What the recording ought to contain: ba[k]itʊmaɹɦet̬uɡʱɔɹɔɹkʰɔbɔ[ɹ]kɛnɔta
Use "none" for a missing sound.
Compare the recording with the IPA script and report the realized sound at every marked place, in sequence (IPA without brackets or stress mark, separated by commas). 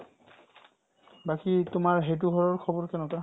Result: k, ɹ